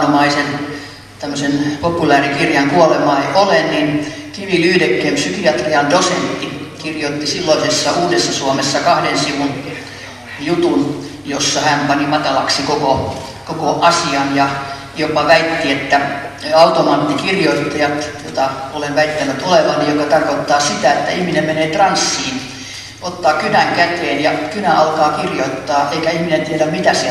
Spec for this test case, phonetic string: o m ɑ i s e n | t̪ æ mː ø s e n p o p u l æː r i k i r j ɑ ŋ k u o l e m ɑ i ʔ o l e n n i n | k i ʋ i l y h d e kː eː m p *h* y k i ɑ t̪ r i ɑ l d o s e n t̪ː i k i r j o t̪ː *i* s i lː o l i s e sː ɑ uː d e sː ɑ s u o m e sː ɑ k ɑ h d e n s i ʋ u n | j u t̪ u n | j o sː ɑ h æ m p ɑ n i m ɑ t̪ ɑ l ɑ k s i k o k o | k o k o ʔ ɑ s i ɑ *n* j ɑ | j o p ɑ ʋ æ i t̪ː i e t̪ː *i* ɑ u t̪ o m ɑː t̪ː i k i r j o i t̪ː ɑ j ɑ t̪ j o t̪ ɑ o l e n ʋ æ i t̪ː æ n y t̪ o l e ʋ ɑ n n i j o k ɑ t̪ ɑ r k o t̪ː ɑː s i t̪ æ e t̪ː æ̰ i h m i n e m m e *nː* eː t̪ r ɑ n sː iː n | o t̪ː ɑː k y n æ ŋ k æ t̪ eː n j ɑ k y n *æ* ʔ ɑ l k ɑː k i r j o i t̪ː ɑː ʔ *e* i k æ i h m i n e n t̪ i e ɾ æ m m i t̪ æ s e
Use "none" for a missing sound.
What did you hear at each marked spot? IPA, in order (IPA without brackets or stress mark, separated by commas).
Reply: s, i, n, æ, n, æ, e